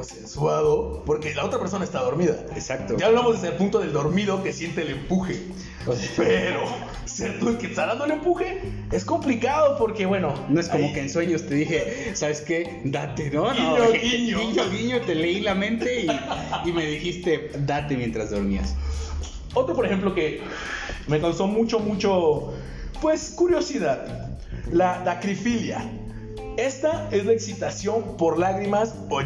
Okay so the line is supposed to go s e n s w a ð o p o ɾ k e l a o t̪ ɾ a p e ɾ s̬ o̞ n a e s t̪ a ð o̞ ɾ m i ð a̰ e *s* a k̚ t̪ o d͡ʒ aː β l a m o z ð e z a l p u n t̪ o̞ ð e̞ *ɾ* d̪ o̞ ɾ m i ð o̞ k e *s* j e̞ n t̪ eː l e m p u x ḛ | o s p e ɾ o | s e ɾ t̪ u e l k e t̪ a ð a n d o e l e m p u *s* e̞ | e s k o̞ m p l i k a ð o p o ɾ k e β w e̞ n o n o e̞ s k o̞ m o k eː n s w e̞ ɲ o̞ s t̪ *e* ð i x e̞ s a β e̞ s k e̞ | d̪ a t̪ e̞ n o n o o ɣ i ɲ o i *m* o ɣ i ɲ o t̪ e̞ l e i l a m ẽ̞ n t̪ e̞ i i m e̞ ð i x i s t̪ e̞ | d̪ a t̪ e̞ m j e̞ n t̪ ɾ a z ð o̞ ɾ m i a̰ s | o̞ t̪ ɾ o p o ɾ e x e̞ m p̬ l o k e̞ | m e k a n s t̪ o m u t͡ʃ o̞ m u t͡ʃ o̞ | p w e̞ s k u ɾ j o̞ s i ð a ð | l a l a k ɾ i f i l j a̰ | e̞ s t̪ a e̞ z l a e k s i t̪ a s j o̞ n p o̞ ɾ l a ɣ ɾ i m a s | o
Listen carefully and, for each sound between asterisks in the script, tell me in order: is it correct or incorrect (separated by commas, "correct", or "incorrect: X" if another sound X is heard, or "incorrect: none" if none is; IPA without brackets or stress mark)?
correct, incorrect: l, correct, incorrect: x, correct, incorrect: ɲ